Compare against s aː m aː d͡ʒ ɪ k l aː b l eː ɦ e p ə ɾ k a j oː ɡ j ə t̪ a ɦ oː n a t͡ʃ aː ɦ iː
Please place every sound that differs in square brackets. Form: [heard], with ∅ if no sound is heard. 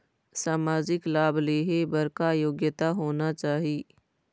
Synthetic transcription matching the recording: s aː m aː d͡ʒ ɪ k l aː b l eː ɦ e [b] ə ɾ k a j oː ɡ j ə t̪ a ɦ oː n a t͡ʃ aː ɦ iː